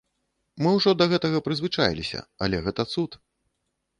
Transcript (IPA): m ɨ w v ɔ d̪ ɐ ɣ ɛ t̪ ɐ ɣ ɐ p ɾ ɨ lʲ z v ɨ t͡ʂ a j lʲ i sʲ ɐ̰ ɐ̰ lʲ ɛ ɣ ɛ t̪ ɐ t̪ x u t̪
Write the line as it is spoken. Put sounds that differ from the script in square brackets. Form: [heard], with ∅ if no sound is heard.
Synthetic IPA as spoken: m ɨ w [ʐ] ɔ d̪ ɐ ɣ ɛ t̪ ɐ ɣ ɐ p ɾ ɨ [∅] z v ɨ t͡ʂ a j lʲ i sʲ ɐ̰ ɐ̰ lʲ ɛ ɣ ɛ t̪ ɐ t̪ [s] u t̪

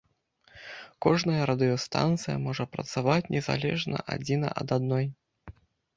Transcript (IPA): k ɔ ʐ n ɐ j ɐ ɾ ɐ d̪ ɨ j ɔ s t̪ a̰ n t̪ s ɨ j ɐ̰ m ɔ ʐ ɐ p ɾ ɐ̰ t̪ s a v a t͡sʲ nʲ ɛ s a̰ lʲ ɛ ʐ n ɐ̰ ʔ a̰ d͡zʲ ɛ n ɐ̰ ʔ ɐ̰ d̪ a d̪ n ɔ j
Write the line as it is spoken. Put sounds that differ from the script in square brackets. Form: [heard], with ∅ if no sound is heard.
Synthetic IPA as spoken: k ɔ ʐ n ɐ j ɐ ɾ ɐ d̪ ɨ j ɔ s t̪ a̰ n t̪ s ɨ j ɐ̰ m ɔ ʐ ɐ p ɾ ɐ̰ t̪ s a v a t͡sʲ nʲ ɛ [z] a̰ lʲ ɛ ʐ n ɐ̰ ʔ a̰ d͡zʲ [i] n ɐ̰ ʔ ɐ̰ d̪ a d̪ n ɔ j

